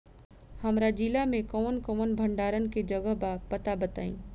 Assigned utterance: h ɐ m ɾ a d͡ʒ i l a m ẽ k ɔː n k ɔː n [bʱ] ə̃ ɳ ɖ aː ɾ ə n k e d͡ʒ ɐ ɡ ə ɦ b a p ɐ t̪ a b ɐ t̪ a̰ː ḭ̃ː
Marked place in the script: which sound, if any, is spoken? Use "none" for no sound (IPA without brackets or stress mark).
bʱ